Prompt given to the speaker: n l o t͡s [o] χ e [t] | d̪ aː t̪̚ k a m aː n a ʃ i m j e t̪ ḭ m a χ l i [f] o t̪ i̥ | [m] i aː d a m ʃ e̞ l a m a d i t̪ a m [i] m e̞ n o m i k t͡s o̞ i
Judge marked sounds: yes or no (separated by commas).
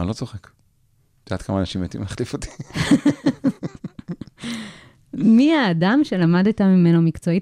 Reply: yes, no, yes, yes, yes